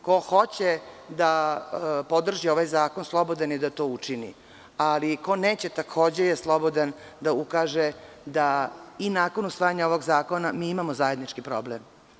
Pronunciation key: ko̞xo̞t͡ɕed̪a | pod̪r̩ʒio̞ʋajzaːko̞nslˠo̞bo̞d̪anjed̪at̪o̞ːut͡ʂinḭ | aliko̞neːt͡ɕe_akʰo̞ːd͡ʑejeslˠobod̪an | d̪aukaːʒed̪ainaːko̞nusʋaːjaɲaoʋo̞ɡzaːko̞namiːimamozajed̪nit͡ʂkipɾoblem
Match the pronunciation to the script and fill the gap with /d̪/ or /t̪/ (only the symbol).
t̪